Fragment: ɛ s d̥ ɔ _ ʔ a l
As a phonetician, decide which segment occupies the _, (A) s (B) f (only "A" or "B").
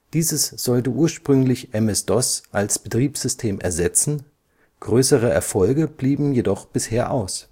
A